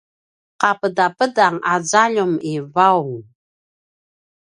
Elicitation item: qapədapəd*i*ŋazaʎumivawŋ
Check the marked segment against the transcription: incorrect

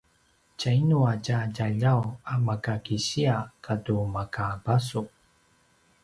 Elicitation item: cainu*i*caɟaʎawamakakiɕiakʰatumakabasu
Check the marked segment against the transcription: incorrect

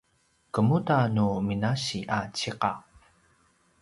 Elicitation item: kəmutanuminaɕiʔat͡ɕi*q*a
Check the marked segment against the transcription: correct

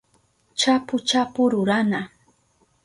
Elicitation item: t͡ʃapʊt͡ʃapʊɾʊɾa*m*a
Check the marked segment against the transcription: incorrect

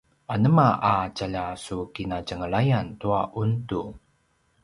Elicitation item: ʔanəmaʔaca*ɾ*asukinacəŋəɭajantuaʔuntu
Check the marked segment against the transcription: incorrect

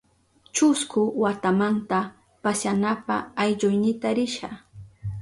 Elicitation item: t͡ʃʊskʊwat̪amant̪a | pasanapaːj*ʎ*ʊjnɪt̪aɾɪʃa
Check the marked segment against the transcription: correct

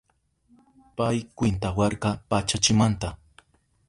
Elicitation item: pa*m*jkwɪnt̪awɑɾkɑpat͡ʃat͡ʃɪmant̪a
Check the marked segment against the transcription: incorrect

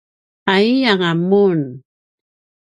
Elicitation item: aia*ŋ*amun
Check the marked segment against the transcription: correct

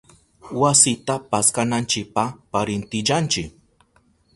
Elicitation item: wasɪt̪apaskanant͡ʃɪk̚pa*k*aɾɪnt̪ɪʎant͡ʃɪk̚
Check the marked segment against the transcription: incorrect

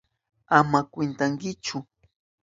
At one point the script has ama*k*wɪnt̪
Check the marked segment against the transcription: correct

